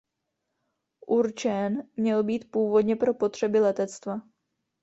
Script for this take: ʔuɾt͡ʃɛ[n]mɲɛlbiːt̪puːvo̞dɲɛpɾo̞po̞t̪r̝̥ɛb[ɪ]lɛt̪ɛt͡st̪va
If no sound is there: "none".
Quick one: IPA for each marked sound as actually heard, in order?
n, ɪ

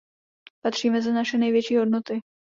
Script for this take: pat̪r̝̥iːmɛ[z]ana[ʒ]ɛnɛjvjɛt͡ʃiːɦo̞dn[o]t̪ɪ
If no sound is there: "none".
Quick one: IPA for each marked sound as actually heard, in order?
z, ʃ, o

